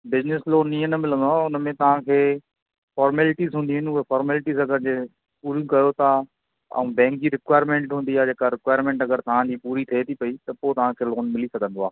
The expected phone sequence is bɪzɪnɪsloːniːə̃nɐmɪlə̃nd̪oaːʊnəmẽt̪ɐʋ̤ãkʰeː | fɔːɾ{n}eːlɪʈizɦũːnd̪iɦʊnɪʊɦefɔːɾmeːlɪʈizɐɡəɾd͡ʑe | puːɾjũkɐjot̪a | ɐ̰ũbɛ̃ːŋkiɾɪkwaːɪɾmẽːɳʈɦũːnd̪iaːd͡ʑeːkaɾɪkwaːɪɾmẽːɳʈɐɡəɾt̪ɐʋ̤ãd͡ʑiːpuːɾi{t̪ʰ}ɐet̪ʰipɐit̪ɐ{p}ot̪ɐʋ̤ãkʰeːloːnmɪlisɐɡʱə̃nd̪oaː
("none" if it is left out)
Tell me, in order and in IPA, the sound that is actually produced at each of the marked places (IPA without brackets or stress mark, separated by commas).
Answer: m, t̪ʰ, p